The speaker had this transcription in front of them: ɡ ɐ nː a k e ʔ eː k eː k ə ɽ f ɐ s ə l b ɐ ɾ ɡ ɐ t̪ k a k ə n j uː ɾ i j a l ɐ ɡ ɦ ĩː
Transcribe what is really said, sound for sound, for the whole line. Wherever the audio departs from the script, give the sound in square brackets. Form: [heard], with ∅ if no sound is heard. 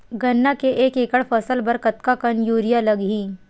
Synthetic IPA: ɡ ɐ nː a k e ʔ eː k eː k ə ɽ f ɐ s ə l b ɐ ɾ [k] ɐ t̪ k a k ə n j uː ɾ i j a l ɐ ɡ ɦ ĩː